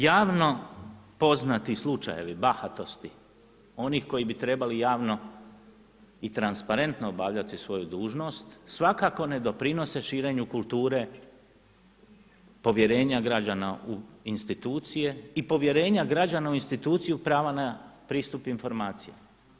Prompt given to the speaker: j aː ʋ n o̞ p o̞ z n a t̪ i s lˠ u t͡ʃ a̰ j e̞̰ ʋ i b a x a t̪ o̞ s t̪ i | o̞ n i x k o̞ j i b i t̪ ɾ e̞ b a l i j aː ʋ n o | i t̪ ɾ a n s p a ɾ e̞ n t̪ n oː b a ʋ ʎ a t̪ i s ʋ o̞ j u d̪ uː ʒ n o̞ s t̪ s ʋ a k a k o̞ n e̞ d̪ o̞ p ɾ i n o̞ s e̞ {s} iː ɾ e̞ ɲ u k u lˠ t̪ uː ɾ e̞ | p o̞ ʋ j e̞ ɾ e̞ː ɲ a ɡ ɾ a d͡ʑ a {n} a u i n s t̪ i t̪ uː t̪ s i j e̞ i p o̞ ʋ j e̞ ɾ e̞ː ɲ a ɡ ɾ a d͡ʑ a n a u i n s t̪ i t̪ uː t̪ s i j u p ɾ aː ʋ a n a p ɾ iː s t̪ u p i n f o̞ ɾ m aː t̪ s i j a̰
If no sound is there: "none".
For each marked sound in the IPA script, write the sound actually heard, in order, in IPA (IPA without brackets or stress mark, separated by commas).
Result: ʃ, n